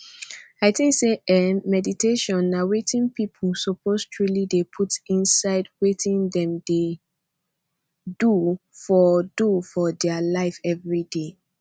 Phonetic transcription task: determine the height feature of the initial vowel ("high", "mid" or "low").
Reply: low